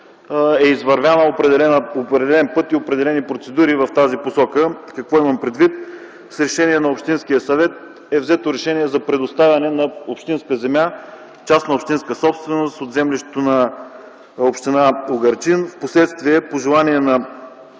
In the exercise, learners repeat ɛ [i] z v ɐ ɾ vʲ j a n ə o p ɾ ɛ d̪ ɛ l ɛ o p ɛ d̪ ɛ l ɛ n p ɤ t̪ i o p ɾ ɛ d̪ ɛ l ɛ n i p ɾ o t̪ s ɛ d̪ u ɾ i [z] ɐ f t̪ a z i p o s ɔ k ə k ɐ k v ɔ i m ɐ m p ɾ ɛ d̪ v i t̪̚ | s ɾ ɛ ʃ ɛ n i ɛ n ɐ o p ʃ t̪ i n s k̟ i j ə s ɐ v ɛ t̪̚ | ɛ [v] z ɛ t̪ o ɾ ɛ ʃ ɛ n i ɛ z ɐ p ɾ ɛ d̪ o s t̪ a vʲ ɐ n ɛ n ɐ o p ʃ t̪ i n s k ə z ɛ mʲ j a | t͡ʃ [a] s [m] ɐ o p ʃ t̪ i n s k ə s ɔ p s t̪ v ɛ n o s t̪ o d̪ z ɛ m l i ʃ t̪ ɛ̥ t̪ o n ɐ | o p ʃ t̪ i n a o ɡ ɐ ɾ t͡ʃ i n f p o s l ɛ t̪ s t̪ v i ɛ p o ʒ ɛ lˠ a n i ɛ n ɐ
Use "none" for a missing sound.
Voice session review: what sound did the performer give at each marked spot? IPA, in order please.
i, v, v, a, n

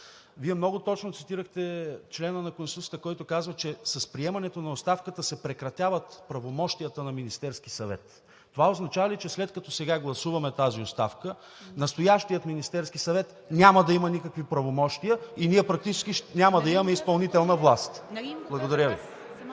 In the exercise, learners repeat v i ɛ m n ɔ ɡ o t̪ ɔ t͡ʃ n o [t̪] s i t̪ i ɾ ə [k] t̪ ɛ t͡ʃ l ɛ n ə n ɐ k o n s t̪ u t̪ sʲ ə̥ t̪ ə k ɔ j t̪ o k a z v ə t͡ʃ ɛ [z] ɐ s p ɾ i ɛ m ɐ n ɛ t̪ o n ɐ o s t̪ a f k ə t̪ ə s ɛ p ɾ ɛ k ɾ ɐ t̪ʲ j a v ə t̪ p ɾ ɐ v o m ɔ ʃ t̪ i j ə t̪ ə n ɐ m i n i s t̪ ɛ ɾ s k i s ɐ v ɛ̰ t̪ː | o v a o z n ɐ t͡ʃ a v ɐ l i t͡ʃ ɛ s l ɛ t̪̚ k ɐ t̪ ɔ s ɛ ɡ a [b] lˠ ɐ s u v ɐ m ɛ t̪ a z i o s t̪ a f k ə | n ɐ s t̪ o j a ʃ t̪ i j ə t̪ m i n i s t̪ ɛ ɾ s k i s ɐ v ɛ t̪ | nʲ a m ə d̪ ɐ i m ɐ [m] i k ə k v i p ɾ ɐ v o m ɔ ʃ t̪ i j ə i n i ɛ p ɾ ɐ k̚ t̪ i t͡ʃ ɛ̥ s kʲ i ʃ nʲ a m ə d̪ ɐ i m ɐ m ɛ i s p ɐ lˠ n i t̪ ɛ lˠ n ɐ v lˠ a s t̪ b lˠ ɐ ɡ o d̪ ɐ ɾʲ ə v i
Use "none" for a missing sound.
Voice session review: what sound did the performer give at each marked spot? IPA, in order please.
t̪, x, s, ɡ, n

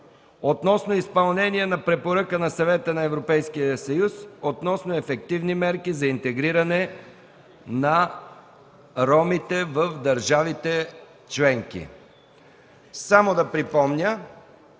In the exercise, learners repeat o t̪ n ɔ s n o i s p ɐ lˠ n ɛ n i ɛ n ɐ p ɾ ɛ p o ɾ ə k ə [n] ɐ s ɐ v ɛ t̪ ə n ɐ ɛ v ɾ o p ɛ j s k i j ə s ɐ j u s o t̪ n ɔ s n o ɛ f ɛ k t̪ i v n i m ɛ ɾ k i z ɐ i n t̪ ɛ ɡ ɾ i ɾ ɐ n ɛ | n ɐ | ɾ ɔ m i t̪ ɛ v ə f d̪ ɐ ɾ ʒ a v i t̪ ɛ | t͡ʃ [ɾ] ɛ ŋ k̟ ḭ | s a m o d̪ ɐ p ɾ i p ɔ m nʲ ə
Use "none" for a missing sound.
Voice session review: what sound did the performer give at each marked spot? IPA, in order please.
n, l

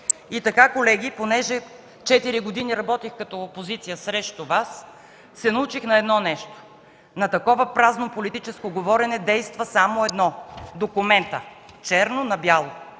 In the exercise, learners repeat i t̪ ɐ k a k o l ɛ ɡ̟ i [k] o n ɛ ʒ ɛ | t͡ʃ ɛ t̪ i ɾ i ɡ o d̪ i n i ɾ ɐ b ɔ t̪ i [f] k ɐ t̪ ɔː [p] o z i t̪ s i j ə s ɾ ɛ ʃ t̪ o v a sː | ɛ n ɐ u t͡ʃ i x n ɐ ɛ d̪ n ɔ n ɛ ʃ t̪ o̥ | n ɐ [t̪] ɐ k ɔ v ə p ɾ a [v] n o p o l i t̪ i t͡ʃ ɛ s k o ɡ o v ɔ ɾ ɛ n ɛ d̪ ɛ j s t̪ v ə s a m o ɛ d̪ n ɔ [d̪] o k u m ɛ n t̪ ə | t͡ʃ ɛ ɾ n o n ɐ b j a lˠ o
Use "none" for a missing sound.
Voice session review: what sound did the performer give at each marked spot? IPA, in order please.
p, x, p, t̪, z, d̪

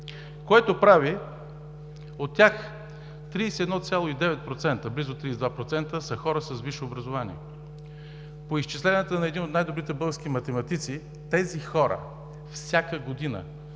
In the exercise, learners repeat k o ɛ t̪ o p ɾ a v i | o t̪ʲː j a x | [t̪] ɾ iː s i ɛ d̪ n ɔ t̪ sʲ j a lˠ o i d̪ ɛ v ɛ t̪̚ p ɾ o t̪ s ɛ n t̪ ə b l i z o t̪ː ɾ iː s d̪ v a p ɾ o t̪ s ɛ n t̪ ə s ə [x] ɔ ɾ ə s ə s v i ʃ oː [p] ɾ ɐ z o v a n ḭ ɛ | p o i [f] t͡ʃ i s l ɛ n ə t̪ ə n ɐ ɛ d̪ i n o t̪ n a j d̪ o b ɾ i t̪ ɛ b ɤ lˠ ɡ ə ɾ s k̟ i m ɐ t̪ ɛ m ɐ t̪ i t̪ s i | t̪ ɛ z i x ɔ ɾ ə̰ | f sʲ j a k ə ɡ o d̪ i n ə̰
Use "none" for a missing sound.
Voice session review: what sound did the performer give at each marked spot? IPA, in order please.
t̪, x, b, s

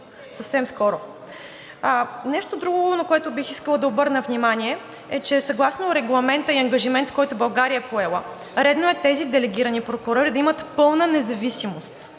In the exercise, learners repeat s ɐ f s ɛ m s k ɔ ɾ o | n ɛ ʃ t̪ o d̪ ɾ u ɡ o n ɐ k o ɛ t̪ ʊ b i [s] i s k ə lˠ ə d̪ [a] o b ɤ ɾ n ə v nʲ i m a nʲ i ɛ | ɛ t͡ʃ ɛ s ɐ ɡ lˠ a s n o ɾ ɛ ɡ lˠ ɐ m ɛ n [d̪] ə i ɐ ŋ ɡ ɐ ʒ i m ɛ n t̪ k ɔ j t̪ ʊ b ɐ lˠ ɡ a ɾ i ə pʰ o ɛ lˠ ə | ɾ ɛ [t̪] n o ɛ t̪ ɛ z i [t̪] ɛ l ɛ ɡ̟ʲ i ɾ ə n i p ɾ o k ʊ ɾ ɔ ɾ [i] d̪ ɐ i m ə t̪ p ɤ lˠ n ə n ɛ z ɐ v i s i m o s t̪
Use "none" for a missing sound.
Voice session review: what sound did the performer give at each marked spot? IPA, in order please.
x, ɐ, t̪, d̪, d̪, i

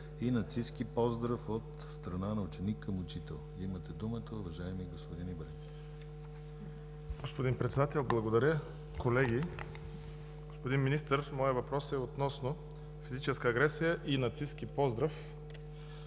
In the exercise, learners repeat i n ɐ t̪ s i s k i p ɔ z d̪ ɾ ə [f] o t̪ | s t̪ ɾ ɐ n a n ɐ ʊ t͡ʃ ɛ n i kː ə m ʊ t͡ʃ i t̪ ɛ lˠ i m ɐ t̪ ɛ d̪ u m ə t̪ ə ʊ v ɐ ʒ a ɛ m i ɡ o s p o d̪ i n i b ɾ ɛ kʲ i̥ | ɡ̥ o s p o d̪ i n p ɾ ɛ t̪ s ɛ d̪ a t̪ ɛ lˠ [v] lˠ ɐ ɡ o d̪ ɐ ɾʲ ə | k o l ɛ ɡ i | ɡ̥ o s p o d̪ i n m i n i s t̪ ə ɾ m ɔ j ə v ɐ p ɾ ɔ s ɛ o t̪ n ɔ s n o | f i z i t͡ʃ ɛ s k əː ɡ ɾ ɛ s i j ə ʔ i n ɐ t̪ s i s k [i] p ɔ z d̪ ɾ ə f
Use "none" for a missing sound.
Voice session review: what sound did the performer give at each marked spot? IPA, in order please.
f, b, i

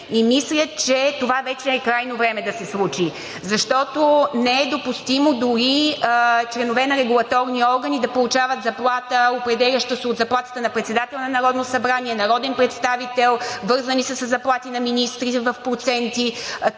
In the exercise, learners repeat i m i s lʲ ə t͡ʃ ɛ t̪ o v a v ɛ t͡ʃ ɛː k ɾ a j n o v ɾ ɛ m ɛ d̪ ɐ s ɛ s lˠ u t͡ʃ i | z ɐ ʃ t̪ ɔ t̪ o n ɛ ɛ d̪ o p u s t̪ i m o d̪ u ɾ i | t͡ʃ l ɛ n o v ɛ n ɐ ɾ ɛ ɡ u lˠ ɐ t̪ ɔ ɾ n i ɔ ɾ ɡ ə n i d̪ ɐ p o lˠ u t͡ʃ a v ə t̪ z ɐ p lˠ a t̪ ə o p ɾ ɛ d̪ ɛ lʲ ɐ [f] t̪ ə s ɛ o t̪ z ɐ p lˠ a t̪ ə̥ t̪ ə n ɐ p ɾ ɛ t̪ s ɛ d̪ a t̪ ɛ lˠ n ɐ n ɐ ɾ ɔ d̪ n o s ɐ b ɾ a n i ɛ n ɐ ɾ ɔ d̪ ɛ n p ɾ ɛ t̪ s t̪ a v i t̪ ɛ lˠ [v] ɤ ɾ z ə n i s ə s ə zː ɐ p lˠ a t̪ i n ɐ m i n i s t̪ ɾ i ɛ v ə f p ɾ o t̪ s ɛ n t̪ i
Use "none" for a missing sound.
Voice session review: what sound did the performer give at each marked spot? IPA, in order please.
ʃ, v

